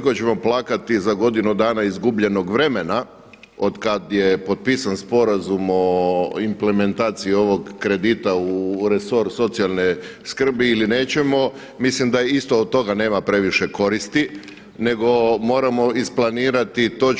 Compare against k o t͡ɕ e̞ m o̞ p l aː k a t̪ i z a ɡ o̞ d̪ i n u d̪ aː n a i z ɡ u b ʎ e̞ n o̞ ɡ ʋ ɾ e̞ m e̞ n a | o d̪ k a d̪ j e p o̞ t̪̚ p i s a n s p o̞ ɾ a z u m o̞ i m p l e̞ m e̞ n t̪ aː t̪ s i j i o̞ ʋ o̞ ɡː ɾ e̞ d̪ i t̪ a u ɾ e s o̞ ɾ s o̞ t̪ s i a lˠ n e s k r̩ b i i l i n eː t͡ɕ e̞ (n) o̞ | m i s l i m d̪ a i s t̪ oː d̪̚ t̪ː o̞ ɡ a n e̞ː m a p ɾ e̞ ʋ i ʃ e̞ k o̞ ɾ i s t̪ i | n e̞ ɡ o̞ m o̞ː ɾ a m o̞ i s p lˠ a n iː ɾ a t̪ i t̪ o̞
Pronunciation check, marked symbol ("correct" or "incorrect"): incorrect